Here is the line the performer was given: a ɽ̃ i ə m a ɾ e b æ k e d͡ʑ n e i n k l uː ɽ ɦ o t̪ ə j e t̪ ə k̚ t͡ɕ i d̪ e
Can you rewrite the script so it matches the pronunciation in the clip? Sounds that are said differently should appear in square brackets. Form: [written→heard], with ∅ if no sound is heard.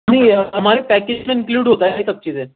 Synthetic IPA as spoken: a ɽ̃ i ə m a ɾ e [b→p] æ k e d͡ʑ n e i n k l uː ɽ ɦ o t̪ [ə→a] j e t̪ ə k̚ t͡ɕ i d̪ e